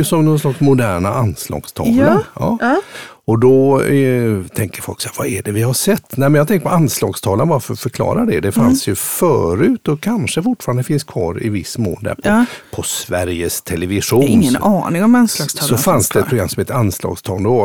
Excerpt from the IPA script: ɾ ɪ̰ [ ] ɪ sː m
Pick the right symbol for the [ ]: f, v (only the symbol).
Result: v